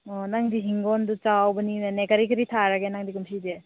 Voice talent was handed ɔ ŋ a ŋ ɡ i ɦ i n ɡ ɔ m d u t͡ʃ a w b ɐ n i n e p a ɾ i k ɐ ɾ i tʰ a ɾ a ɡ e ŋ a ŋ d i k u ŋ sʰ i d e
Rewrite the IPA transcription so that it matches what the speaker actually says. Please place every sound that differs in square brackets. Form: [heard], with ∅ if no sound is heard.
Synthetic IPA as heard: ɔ [n] a ŋ [d] i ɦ i [ŋ] ɡ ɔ [n] d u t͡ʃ a w b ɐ n i n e [k] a ɾ i k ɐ ɾ i tʰ a ɾ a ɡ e [n] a ŋ d i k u [m] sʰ i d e

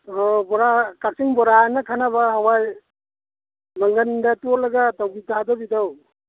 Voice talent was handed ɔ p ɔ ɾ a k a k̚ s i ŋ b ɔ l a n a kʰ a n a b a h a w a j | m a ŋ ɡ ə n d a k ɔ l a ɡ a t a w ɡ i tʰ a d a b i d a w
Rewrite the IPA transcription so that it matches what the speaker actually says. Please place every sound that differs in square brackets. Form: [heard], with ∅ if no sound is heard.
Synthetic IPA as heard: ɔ [b] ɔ ɾ a k a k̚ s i ŋ b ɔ [ɾ] a n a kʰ a n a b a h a w a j | m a ŋ ɡ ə n d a [t] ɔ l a ɡ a t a w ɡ i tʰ a d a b i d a w

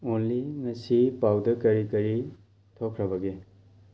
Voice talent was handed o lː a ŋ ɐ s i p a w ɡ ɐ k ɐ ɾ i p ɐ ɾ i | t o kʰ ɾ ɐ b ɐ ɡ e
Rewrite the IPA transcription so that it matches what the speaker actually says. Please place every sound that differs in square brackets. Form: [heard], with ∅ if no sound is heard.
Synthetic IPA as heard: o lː [i] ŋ ɐ s i p a w [d] ɐ k ɐ ɾ i [k] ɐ ɾ i | [tʰ] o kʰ ɾ ɐ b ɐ ɡ e

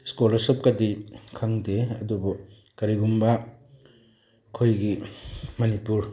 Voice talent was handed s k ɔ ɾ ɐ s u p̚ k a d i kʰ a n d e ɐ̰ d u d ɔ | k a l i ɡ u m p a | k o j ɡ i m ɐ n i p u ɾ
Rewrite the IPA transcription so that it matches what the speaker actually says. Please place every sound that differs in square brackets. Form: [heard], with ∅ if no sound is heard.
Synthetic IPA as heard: s k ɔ [l] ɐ s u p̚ k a d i kʰ a [ŋ] d e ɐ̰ d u [b] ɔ | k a [ɾ] i ɡ u m [b] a | [kʰ] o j ɡ i m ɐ n i p u ɾ

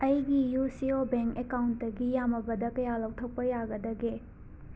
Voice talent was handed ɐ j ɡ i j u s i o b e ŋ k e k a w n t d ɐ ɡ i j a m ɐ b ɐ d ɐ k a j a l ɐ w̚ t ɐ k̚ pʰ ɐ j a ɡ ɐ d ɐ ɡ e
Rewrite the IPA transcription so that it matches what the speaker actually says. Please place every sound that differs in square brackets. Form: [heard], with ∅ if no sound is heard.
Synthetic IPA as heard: ɐ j ɡ i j u s i o b e ŋ k e k a w n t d ɐ ɡ i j a m ɐ b ɐ d ɐ k [ɐ] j a l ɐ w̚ [tʰ] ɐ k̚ [p] ɐ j a ɡ ɐ d ɐ ɡ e

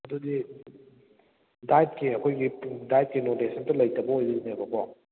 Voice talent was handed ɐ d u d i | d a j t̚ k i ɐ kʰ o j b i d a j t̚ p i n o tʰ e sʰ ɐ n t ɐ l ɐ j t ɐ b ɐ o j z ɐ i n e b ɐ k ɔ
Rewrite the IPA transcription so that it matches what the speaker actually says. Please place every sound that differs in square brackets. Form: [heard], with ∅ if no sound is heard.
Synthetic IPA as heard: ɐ d u d i | d a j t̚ k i ɐ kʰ o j [ɡ] i d a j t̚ [k] i n o [t] e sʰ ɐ n t ɐ l ɐ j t ɐ b ɐ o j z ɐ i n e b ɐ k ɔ

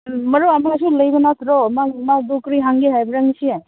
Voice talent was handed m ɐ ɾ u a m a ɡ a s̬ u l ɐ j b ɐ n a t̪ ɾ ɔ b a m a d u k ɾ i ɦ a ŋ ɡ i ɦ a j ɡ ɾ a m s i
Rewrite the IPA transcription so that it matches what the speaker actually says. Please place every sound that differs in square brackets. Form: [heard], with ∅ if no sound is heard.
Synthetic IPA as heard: m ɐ ɾ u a m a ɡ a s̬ u l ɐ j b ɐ n a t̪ ɾ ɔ [m] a m a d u k ɾ i ɦ a ŋ ɡ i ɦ a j [b] ɾ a [ŋ] s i

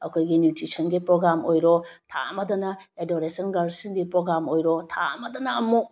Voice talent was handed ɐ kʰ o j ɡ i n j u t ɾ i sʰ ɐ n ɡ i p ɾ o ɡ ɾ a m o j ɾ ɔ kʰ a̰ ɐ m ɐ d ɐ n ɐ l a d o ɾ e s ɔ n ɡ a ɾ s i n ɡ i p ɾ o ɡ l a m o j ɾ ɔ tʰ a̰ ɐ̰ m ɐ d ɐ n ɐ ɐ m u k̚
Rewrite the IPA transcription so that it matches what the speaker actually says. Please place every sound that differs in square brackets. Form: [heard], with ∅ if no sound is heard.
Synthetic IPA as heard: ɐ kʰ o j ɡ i n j u t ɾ i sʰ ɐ n ɡ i p ɾ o ɡ ɾ a m o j ɾ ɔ [tʰ] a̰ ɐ m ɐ d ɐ n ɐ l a d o ɾ e s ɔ n ɡ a ɾ s i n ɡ i p ɾ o ɡ [ɾ] a m o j ɾ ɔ tʰ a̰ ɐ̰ m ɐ d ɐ n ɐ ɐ m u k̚

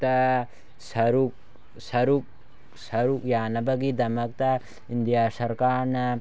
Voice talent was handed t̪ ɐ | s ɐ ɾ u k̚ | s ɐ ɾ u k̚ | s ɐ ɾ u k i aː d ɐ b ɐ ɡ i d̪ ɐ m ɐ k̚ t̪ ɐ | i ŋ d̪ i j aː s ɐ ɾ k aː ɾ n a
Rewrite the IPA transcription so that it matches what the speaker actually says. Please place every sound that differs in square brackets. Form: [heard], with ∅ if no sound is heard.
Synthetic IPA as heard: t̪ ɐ | s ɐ ɾ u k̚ | s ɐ ɾ u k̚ | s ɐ ɾ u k [j] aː [n] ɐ b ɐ ɡ i d̪ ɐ m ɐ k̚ t̪ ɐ | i [n] d̪ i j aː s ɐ ɾ k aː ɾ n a

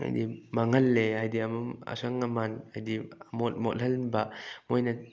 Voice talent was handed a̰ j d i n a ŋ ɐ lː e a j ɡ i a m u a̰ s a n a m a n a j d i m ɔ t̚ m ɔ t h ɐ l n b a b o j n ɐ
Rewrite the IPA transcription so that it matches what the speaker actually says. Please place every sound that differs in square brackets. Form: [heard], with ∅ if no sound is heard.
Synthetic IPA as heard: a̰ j d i [m] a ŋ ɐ lː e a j [d] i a m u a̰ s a [ŋ] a m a n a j d i m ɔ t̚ m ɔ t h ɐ l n b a [m] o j n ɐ

